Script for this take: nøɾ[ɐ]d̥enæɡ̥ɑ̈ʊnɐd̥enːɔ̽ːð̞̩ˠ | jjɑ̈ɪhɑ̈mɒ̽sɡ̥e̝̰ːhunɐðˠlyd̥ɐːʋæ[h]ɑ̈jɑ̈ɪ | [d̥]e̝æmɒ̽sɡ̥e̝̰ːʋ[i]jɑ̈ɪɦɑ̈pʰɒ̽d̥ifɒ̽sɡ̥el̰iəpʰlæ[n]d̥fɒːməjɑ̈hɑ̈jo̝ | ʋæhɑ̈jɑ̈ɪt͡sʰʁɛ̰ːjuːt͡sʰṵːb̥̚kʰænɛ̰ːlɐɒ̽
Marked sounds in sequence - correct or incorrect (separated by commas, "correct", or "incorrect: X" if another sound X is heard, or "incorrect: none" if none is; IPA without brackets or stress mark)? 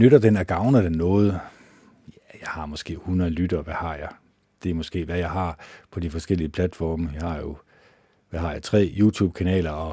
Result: correct, correct, correct, incorrect: æ, incorrect: none